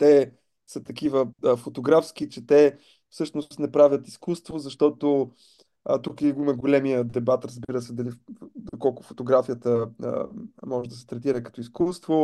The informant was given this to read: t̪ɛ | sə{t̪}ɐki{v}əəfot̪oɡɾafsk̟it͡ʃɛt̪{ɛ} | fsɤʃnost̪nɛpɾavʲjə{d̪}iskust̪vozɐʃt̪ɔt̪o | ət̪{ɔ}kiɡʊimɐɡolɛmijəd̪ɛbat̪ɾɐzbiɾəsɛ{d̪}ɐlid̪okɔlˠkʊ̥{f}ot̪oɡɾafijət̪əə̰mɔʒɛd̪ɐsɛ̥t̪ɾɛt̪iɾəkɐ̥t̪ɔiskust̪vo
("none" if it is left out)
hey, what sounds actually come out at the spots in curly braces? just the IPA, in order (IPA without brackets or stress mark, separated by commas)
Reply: t̪, v, ɛ, t̪, u, d̪, f